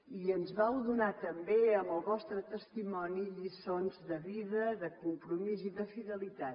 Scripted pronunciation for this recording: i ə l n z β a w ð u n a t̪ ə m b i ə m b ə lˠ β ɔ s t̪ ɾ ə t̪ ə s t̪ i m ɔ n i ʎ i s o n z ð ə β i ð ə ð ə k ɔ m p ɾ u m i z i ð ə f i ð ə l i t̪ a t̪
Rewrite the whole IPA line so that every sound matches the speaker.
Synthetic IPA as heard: i ə n z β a w ð u n a t̪ ə m b e ə m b ə lˠ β ɔ s t̪ ɾ ə t̪ ə s t̪ i m ɔ n i ʎ i s o n z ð ə β i ð ə ð ə k u m p ɾ u m i z i ð ə f i ð ə l i t̪ a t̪